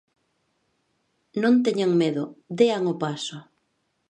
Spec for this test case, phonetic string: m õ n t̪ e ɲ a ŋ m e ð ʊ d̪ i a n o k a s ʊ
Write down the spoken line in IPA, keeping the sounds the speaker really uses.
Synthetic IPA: n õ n t̪ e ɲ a ŋ m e ð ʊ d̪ e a ŋ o p a s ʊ